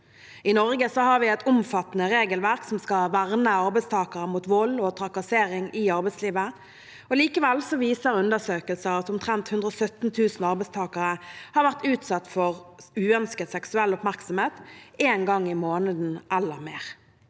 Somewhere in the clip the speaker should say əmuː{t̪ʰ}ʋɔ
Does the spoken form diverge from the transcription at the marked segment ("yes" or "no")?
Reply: yes